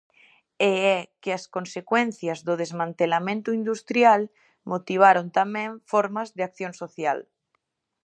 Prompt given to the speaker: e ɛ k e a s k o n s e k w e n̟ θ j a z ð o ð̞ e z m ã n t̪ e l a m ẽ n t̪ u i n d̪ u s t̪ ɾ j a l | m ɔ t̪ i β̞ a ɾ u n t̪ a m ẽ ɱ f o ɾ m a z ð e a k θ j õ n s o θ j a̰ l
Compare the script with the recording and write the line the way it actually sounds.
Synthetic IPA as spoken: e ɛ k e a s k o n s e k w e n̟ θ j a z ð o ð̞ e z m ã n t̪ e l a m ẽ n t̪ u i n d̪ u s t̪ ɾ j a l | m o t̪ i β̞ a ɾ o n t̪ a m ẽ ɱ f o ɾ m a z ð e a k θ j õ n s o θ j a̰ l